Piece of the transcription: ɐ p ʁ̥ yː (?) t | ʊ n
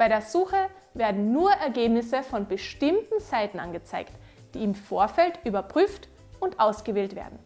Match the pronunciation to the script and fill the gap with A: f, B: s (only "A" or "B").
A